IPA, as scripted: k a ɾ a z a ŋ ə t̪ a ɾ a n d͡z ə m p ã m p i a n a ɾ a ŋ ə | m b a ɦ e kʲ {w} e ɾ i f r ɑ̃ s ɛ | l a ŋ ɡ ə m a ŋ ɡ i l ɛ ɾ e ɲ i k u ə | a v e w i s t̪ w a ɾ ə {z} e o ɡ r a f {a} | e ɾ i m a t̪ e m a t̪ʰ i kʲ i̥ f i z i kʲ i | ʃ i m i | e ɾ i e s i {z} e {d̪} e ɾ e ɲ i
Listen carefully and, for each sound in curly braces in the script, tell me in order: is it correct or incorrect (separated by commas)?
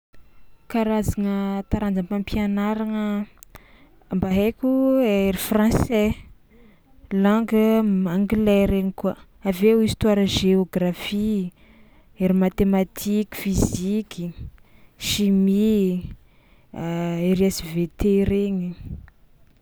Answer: incorrect, incorrect, incorrect, incorrect, incorrect